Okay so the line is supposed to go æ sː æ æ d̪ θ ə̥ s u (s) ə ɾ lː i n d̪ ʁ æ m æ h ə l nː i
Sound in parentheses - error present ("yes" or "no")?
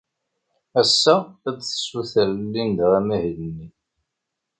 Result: yes